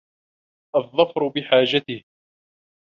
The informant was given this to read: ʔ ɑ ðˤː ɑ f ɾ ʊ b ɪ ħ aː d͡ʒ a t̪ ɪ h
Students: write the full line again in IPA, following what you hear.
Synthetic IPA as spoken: ʔ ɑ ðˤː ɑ f ɾ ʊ b ɪ ħ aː d͡ʒ a t̪ ɪ h